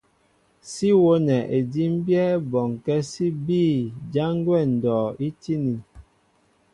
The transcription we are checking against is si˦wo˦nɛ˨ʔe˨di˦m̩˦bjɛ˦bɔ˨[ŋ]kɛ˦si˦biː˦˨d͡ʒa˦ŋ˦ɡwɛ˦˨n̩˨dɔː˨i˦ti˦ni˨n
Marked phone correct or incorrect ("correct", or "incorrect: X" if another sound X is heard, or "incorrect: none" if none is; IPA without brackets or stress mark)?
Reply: correct